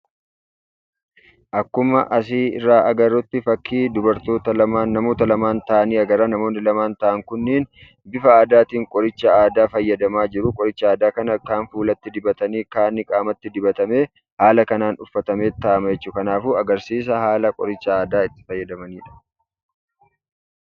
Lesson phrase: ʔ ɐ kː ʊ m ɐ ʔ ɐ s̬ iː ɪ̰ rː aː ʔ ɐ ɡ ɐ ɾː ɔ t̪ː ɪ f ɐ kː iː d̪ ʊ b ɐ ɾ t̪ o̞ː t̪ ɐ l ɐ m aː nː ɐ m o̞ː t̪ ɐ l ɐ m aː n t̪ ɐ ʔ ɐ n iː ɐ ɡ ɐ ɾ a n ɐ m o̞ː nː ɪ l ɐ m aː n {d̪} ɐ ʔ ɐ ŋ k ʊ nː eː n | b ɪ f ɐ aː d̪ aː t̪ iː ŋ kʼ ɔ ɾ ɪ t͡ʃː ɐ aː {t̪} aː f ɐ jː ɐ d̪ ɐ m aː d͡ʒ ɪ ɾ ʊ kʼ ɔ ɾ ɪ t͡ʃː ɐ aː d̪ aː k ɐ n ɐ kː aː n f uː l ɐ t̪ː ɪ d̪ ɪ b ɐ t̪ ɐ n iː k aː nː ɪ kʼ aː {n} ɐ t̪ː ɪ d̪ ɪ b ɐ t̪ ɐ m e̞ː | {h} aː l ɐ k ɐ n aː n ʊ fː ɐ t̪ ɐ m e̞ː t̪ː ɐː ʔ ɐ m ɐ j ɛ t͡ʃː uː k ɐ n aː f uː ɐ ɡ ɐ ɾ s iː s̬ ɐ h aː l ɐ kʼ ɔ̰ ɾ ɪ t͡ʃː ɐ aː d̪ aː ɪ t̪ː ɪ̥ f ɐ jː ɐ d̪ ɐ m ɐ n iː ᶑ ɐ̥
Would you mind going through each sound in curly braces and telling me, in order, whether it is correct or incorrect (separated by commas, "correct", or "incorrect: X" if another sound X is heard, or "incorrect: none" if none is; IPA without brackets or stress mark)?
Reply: incorrect: t̪, incorrect: d̪, incorrect: m, correct